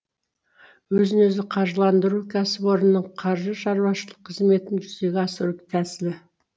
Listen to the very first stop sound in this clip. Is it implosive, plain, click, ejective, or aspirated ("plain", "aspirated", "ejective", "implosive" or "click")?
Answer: aspirated